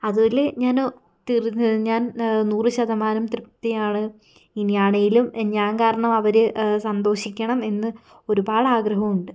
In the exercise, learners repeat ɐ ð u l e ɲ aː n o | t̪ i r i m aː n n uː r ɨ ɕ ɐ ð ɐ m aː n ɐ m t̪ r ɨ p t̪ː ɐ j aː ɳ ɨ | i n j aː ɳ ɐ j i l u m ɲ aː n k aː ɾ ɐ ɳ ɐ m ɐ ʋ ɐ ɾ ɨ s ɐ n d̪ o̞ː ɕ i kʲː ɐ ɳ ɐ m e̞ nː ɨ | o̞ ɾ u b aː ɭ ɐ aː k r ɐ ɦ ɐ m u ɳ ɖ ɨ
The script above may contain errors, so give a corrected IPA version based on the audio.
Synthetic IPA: ɐ ð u l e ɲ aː n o | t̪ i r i ɲ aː n n uː r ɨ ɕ ɐ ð ɐ m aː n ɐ m t̪ r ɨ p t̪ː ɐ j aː ɳ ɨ | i n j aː ɳ ɐ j i l u m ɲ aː n k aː ɾ ɐ ɳ ɐ m ɐ ʋ ɐ ɾ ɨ s ɐ n d̪ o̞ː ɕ i kʲː ɐ ɳ ɐ m e̞ nː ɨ | o̞ ɾ u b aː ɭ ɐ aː ɡ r ɐ ɦ ɐ m u ɳ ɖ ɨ

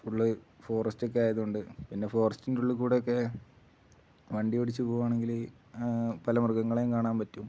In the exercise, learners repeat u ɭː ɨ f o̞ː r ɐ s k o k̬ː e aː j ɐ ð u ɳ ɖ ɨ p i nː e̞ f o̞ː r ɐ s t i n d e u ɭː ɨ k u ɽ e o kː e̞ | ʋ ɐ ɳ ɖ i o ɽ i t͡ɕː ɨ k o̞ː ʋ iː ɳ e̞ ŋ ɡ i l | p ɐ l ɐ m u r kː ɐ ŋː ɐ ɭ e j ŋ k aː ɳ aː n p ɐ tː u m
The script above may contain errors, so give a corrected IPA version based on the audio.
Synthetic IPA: u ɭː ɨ f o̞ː r ɐ s t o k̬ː e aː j ɐ ð u ɳ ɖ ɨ p i nː e̞ f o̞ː r ɐ s t i n d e u ɭː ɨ k uː ɽ e o kː e̞ | ʋ ɐ ɳ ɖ i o ɽ i t͡ɕː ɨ p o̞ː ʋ aː ɳ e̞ ŋ ɡ i l | p ɐ l ɐ m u r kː ɐ ŋː ɐ ɭ e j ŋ k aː ɳ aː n p ɐ tː u m

